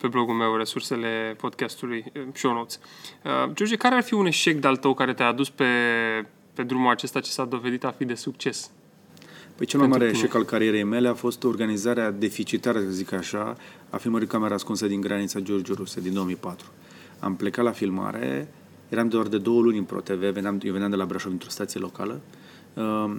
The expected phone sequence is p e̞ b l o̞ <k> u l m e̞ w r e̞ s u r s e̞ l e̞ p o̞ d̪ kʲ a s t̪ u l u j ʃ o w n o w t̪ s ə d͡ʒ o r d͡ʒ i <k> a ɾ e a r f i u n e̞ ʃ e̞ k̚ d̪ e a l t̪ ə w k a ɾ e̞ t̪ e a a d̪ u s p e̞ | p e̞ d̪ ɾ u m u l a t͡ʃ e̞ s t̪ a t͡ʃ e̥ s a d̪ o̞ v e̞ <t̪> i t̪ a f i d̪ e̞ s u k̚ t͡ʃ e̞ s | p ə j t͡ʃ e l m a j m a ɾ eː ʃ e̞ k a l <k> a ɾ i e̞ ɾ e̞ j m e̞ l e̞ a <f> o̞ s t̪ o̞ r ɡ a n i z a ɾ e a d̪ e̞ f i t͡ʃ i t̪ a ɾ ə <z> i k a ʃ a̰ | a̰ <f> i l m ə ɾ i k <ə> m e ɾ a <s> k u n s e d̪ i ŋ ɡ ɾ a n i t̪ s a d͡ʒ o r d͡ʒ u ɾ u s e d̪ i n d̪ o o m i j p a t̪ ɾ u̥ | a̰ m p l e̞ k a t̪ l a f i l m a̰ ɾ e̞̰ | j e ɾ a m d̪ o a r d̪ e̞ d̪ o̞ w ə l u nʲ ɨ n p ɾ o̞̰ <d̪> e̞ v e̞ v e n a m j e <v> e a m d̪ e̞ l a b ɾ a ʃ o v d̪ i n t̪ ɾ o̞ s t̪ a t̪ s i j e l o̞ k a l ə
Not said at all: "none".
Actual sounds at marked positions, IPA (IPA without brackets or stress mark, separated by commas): ɡ, k, d̪, k, f, z, f, a, s, t̪, v